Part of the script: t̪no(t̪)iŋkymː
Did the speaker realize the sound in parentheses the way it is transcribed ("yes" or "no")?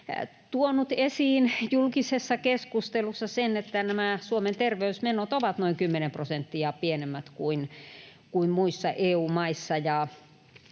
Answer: no